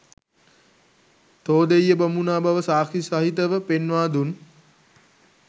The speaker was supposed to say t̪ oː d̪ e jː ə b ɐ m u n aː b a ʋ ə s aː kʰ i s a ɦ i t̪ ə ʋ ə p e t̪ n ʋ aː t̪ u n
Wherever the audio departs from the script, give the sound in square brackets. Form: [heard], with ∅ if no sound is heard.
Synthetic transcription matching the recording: t̪ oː d̪ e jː ə b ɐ m u n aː b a ʋ ə s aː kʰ i s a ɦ i t̪ ə ʋ ə p e [∅] n ʋ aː [d̪] u n